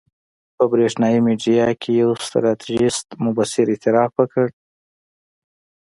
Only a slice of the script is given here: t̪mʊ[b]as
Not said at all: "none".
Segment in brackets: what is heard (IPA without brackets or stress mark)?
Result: b